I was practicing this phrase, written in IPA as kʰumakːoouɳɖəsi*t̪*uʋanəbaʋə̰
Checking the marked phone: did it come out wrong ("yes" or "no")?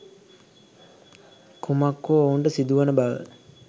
yes